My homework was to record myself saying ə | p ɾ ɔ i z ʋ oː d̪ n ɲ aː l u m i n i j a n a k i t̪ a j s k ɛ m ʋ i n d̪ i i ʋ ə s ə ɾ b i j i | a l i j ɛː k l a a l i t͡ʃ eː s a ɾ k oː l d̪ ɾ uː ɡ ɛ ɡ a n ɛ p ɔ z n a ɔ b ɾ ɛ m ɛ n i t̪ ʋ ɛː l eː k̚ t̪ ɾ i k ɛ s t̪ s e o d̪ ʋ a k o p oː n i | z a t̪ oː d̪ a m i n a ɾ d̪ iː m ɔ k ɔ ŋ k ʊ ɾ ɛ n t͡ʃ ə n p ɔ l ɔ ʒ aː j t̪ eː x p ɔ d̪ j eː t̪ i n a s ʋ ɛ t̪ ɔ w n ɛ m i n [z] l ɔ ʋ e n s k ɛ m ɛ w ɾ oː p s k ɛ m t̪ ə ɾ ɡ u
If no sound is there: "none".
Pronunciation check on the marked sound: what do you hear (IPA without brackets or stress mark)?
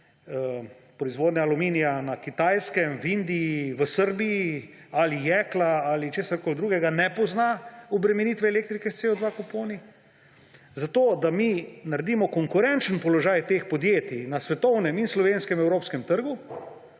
s